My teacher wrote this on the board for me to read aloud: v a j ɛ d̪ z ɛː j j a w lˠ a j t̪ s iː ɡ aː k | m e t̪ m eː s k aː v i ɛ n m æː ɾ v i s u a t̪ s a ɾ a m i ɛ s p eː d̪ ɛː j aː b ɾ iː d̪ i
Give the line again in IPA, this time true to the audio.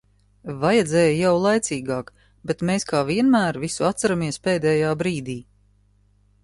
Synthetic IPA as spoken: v a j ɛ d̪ z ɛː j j a w lˠ a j t̪ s iː ɡ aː k | b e t̪ m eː s k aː v i ɛ n m æː ɾ v i s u a t̪ s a ɾ a m i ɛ s p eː d̪ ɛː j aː b ɾ iː d̪ iː